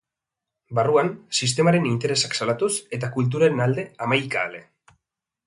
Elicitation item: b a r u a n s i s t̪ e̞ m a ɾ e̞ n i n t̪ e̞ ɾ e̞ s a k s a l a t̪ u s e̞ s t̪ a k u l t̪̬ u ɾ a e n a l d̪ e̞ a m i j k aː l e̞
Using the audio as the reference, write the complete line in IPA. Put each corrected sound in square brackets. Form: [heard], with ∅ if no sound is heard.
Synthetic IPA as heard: b a r u a n s i s t̪ e̞ m a ɾ e̞ n i n t̪ e̞ ɾ e̞ s a k s a l a t̪ u s e̞ [∅] t̪ a k u l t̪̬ u ɾ a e n a l d̪ e̞ a m [a] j k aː l e̞